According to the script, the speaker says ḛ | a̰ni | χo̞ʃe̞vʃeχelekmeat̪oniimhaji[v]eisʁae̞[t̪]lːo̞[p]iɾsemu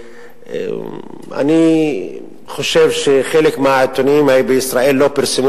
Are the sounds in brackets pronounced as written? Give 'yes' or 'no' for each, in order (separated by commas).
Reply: no, no, yes